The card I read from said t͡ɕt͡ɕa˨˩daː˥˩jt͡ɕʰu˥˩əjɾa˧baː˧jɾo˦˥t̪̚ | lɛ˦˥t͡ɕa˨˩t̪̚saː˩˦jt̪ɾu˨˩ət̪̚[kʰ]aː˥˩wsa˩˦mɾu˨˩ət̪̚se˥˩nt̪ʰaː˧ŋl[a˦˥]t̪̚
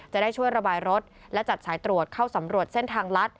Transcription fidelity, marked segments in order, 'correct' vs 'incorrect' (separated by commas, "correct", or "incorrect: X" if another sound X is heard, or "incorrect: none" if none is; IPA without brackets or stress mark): correct, correct